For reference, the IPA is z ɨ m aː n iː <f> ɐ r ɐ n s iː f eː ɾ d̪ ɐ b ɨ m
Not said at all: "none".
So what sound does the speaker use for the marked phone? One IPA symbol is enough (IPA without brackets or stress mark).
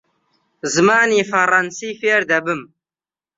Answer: f